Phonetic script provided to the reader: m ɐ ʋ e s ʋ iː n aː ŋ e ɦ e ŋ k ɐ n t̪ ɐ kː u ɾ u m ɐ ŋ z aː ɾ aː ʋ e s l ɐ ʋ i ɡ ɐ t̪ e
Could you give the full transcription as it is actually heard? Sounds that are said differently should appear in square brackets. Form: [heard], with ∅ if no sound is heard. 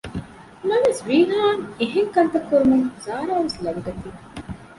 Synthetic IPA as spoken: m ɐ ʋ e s ʋ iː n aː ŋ e ɦ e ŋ k ɐ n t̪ ɐ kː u ɾ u m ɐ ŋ z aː ɾ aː ʋ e s l ɐ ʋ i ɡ ɐ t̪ [i]